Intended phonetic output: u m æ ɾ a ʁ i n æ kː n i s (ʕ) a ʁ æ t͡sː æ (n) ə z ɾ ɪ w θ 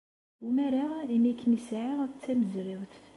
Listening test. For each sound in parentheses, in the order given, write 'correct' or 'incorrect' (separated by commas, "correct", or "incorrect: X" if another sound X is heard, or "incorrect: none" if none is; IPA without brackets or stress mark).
correct, incorrect: m